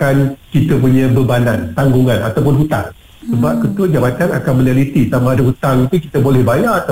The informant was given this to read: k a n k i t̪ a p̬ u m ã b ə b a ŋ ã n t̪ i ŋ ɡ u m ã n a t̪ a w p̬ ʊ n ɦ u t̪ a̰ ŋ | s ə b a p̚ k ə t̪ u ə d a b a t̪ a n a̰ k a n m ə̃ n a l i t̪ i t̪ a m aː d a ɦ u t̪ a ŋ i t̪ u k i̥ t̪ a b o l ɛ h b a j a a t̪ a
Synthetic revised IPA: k a n k i t̪ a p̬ u ɲ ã b ə b a n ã n t̪ a ŋ ɡ u ŋ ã n a t̪ a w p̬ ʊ n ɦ u t̪ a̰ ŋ | s ə b a p̚ k ə t̪ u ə d͡ʒ a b a t̪ a n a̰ k a n m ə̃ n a l i t̪ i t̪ a m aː d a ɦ u t̪ a ŋ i t̪ u k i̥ t̪ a b o l ɛ h b a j a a t̪ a